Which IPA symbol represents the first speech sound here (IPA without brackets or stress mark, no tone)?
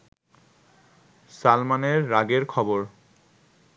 s